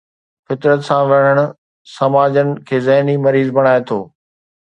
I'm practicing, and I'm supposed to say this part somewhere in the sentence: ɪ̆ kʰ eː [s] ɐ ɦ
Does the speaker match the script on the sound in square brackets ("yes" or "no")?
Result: no